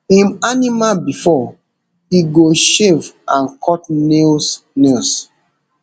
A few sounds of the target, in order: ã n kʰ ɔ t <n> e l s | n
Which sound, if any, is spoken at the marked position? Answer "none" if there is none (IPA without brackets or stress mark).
n